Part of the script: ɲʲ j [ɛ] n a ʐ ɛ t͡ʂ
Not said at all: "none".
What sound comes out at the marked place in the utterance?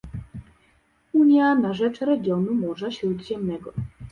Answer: a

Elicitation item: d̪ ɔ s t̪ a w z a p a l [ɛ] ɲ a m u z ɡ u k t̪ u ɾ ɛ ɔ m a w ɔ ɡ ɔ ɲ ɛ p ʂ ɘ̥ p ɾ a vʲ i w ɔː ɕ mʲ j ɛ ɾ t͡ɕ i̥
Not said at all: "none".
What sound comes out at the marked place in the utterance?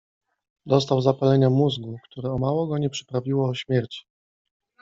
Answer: ɛ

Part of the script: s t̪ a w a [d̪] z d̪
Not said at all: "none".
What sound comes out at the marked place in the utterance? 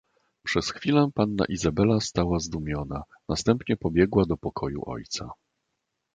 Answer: none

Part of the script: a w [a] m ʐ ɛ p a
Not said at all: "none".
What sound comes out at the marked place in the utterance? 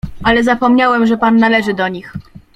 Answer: ɛ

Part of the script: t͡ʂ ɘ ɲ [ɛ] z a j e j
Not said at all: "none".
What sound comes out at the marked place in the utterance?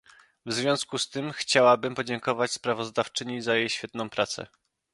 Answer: i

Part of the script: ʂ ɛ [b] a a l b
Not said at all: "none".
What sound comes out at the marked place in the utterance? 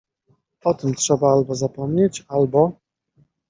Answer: b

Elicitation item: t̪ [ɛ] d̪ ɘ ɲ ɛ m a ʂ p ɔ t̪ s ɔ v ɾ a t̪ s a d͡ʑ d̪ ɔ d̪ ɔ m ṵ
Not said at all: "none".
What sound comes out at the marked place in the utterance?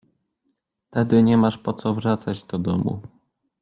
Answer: ɛ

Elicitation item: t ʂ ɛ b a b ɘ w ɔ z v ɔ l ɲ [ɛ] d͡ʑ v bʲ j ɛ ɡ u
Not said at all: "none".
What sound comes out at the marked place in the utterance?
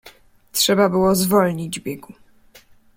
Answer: i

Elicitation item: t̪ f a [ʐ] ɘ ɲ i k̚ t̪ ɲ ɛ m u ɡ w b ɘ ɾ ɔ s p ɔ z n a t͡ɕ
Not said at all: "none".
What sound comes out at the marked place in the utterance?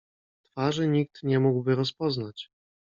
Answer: ʐ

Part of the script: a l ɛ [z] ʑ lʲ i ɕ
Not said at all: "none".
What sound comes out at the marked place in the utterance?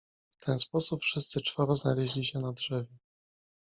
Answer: none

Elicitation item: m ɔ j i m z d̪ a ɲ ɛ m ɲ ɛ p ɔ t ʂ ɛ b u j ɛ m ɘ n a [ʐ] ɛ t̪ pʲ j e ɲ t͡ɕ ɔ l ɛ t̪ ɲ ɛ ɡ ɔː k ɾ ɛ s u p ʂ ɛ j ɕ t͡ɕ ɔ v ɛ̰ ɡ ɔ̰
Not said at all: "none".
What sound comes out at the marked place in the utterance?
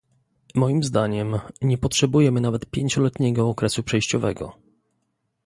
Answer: v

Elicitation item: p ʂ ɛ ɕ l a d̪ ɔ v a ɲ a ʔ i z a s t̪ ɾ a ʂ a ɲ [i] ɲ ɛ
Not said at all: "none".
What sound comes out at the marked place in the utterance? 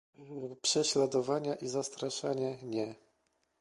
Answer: ɛ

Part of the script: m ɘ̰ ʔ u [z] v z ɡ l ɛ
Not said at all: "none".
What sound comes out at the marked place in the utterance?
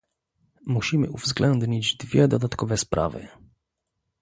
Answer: none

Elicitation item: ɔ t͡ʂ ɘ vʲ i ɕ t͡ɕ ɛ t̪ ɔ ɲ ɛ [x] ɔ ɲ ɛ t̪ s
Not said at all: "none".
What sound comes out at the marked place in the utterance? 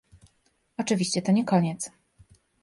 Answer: k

